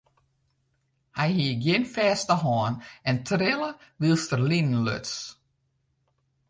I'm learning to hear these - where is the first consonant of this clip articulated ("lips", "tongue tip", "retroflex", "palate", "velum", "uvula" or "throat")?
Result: throat